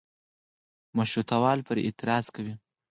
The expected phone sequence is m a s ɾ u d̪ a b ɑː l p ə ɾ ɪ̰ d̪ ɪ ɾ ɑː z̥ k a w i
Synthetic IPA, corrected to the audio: m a ʃ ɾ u t̪ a w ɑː l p ə ɾ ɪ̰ t̪ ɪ ɾ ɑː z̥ k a w i